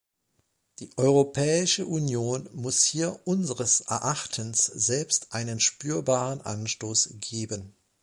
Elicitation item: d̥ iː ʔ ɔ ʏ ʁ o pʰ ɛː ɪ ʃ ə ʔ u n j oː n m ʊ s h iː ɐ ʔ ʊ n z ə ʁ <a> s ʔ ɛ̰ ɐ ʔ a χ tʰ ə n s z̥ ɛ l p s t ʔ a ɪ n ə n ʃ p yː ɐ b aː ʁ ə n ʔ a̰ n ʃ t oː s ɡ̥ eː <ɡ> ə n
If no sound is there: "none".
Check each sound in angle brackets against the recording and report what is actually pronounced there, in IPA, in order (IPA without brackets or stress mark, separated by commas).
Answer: ə, b